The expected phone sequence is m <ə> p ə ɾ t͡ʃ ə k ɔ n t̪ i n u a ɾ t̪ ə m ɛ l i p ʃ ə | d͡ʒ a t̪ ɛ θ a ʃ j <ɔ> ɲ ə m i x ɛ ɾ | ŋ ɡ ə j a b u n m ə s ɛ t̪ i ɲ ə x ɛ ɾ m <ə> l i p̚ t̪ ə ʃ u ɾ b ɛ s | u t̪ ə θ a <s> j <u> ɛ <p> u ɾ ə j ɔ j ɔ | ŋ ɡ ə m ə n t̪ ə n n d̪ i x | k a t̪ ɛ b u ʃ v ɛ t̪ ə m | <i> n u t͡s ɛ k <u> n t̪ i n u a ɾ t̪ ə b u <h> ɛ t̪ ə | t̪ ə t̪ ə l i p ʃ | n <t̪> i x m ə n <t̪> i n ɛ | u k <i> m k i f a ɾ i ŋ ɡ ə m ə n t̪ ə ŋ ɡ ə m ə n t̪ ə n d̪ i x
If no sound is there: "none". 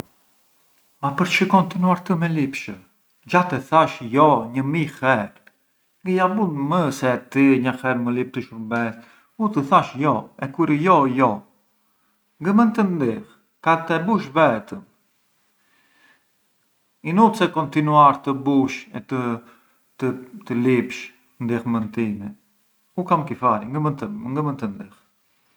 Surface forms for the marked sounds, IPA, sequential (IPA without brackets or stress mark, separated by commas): a, ɔ, ə, ʃ, ɔ, k, i, ɔ, ʃ, d̪, t̪, a